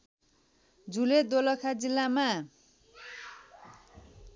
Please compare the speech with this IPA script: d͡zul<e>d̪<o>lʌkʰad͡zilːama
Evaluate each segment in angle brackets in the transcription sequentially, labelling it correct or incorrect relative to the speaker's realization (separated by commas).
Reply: correct, correct